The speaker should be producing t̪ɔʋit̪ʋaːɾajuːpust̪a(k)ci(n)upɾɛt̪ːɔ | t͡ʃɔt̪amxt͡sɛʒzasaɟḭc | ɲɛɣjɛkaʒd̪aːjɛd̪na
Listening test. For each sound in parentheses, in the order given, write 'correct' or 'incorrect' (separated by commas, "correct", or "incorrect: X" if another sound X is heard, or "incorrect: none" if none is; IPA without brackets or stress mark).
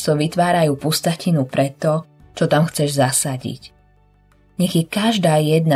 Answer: incorrect: none, correct